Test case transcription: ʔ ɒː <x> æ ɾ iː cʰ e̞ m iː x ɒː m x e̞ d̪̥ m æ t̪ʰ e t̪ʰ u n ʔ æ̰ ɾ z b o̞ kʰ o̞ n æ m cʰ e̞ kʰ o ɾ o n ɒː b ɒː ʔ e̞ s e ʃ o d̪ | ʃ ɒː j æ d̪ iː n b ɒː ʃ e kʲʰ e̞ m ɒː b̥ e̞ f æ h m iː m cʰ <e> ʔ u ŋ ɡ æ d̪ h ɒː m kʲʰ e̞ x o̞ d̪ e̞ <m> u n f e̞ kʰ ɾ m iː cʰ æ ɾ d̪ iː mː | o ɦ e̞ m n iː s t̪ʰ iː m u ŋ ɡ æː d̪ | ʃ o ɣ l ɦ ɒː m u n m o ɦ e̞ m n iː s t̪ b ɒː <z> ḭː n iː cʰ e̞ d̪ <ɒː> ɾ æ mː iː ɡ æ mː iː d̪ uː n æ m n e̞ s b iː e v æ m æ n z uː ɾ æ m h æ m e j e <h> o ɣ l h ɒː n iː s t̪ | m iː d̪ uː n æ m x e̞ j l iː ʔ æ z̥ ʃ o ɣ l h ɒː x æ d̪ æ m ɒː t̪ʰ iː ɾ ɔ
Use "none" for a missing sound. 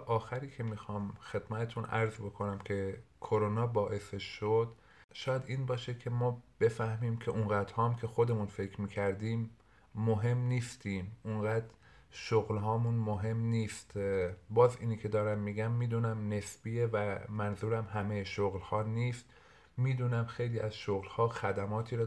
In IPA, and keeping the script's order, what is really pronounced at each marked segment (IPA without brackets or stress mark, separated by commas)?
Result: x, e, m, z, ɒː, ʃ